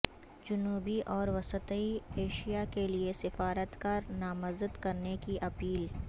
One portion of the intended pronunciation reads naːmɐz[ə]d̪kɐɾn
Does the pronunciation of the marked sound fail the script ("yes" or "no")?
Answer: no